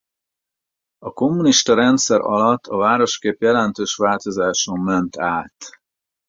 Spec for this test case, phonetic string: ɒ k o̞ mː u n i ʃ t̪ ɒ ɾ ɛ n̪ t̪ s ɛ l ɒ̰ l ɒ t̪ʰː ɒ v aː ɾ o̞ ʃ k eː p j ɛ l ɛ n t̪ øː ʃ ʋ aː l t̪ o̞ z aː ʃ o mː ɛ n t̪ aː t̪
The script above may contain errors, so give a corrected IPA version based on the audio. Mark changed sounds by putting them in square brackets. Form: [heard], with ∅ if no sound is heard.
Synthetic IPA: ɒ k o̞ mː u n i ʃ t̪ ɒ ɾ ɛ n̪ t̪ s ɛ [ɾ] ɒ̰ l ɒ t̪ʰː ɒ v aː ɾ o̞ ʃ k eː p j ɛ l ɛ n t̪ øː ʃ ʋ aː l t̪ o̞ z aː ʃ o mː ɛ n t̪ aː t̪